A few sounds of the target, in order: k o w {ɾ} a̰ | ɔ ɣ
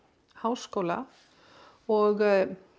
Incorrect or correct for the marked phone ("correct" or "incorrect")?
incorrect